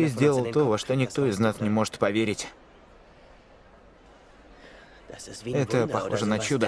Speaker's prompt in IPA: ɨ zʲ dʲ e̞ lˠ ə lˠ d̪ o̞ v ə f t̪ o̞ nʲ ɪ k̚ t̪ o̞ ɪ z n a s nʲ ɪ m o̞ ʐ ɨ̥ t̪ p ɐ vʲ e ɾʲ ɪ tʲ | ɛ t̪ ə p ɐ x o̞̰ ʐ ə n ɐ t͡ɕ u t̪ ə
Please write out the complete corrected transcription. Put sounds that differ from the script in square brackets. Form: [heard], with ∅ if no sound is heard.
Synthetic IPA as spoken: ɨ zʲ dʲ e̞ lˠ ə lˠ [t̪] o̞ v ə [ʂ] t̪ o̞ nʲ ɪ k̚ t̪ o̞ ɪ z n a s nʲ ɪ m o̞ ʐ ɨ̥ t̪ p ɐ vʲ e ɾʲ ɪ tʲ | ɛ t̪ ə p ɐ x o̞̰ ʐ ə n ɐ t͡ɕ u [d̪] ə